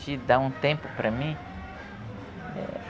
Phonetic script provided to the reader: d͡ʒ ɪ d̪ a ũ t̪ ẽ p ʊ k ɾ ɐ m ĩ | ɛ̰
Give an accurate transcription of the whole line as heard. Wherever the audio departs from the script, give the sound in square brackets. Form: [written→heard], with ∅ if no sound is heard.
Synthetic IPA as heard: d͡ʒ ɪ d̪ a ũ t̪ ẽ p ʊ [k→p] ɾ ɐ m ĩ | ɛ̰